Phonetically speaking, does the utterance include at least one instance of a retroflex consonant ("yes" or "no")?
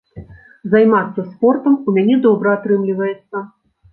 no